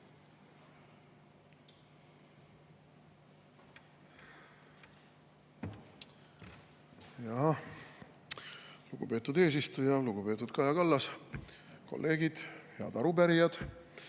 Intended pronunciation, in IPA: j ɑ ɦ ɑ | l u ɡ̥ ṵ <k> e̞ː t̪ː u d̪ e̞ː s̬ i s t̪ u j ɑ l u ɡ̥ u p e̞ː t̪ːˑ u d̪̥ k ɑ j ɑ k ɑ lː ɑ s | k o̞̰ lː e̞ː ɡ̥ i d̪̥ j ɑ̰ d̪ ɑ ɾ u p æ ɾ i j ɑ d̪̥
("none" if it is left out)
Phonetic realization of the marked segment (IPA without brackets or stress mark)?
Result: p